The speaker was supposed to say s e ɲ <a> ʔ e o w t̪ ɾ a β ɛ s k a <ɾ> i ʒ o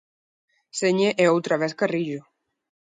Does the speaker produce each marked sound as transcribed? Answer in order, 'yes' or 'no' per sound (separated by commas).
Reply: no, no